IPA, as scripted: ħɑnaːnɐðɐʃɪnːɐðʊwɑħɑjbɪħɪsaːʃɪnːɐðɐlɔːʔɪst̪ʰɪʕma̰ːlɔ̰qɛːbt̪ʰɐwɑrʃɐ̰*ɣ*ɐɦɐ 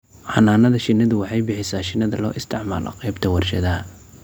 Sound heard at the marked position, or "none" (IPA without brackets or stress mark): ð